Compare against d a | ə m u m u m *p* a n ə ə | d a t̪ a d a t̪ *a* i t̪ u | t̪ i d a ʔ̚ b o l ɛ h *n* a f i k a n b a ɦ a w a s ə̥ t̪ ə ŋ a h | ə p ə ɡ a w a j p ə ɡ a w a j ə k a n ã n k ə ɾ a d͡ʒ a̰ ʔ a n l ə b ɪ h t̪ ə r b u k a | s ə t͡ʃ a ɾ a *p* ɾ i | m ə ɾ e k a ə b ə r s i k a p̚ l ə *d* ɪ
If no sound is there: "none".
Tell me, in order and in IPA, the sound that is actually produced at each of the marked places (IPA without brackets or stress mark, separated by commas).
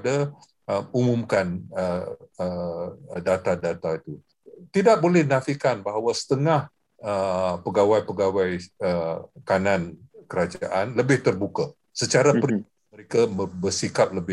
k, a, n, p, b